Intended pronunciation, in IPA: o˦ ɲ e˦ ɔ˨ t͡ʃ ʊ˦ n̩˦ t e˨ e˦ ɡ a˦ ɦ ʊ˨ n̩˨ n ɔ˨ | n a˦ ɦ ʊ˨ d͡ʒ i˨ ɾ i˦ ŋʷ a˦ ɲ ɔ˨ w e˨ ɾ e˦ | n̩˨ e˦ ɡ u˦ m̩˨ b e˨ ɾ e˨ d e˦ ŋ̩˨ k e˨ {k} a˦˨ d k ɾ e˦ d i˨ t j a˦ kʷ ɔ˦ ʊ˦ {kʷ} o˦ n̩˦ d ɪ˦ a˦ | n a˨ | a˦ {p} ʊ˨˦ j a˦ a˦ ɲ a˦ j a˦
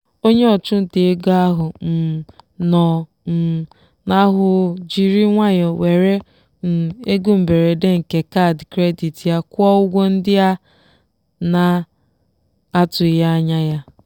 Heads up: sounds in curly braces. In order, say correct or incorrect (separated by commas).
correct, incorrect, incorrect